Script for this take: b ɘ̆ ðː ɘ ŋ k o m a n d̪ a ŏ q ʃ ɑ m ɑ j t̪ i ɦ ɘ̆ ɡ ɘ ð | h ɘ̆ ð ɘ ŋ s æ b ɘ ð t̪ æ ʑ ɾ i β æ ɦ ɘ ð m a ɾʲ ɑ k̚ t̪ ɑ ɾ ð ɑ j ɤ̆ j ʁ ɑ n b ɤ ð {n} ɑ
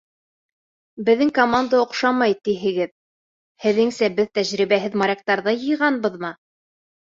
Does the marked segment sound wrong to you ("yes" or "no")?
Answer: yes